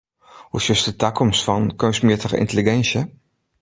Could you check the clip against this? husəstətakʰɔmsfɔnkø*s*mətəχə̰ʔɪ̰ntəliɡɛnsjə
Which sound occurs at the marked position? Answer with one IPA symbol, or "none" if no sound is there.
s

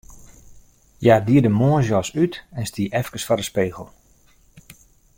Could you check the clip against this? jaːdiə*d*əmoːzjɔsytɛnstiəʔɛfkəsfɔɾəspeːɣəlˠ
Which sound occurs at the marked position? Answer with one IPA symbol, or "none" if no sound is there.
d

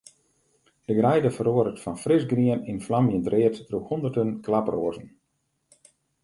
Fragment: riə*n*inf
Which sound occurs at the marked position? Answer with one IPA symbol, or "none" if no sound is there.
n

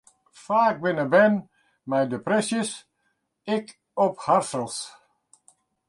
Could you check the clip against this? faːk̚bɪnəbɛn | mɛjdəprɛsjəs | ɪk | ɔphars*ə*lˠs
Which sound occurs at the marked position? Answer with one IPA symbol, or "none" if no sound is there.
ə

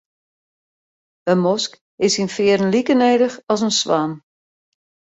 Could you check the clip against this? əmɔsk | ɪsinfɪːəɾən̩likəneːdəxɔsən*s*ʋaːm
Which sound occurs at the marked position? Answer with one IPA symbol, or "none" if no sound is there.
s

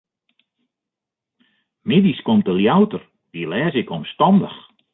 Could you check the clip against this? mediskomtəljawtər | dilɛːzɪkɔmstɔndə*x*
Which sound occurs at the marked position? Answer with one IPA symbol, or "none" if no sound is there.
x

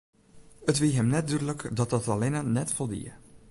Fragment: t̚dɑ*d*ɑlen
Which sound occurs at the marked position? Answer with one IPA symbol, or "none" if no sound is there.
t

